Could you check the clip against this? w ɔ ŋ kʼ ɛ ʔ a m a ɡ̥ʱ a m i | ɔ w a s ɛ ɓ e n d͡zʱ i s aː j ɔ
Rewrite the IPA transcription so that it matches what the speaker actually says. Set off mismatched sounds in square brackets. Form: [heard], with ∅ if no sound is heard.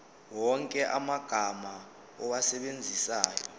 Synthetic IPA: w ɔ ŋ kʼ ɛ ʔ a m a ɡ̥ʱ a m [a] | ɔ w a s ɛ ɓ e n d͡zʱ i s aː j ɔ